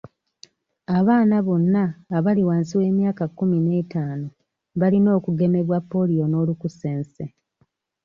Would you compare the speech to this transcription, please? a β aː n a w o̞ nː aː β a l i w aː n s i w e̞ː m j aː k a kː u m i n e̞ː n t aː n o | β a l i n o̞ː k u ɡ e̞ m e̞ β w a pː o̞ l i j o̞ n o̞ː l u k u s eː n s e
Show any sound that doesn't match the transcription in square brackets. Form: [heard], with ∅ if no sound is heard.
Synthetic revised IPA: a β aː n a [β] o̞ nː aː β a l i w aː n s i w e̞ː m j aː k a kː u m i n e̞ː [∅] t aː n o | β a l i n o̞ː k u ɡ e̞ m e̞ β w a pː o̞ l i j o̞ n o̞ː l u k u s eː n s e